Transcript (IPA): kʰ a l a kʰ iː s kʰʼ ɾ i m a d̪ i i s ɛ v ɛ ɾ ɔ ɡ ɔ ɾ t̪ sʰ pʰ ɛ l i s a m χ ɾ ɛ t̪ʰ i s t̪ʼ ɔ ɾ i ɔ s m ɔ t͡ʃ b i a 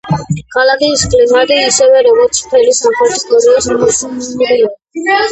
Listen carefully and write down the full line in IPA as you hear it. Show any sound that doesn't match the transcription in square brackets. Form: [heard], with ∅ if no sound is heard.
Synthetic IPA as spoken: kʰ a l a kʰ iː s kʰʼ [l] i m a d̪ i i s ɛ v ɛ ɾ ɔ ɡ ɔ ɾ t̪ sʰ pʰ ɛ l i s a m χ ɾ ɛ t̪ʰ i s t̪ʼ ɔ ɾ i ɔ s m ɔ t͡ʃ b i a